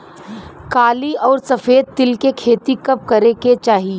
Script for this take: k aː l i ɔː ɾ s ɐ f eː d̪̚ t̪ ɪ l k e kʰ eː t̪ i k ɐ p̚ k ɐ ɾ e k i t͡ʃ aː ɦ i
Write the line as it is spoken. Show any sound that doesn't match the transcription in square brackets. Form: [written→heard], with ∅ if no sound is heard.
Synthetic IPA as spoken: k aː l i ɔː ɾ s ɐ f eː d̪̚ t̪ ɪ l k e kʰ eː t̪ i k ɐ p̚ k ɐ ɾ e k [i→e] t͡ʃ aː ɦ i